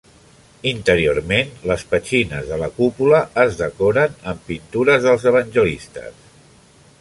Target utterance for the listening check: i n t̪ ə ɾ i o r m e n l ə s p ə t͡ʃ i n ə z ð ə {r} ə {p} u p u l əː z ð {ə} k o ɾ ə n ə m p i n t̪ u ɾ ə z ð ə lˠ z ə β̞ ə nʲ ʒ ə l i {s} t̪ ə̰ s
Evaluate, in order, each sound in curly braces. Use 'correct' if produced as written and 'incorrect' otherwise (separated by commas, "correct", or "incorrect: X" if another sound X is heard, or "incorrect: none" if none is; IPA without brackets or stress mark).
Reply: incorrect: l, incorrect: k, correct, correct